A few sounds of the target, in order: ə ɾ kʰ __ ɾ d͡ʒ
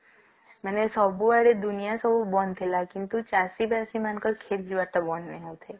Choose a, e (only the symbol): e